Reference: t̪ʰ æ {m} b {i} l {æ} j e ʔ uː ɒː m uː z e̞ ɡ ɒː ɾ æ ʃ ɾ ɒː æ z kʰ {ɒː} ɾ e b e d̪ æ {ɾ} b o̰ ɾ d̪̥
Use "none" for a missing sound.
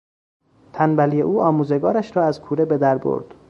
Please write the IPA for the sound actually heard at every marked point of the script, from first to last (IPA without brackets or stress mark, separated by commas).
n, æ, i, uː, ɾ